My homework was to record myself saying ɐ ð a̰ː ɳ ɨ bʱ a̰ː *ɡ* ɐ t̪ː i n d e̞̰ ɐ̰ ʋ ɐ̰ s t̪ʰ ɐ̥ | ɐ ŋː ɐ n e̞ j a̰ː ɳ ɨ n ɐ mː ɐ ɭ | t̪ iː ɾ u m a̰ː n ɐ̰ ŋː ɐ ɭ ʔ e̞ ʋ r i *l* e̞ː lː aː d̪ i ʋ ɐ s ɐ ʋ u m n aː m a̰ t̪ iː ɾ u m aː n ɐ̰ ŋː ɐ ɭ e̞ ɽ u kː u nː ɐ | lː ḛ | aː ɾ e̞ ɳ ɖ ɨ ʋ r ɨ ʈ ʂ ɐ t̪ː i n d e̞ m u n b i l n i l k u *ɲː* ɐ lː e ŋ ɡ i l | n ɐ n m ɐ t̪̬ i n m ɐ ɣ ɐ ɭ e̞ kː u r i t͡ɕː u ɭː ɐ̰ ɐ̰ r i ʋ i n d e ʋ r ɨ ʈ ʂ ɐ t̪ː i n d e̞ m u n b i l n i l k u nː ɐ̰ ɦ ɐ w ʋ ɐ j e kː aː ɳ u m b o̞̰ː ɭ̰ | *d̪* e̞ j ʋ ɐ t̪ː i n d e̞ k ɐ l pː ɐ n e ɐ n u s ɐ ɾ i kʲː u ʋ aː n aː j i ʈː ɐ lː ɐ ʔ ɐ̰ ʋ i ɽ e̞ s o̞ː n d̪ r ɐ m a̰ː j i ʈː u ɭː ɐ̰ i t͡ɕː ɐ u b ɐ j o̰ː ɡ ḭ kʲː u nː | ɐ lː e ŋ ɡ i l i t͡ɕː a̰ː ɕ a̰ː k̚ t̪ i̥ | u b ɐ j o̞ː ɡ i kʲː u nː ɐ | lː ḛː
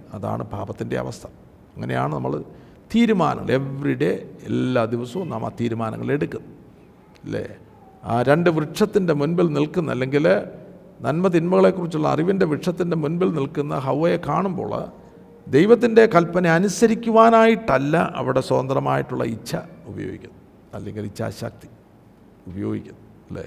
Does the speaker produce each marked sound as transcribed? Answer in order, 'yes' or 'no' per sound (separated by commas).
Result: no, no, no, yes